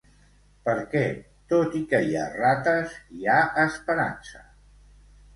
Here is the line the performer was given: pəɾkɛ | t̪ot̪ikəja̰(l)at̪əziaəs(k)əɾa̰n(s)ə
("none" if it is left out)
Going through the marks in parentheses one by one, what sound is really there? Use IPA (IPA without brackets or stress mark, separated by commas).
r, p, s